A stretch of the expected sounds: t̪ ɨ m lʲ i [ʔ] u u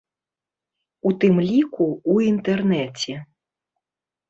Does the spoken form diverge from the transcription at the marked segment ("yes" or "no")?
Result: yes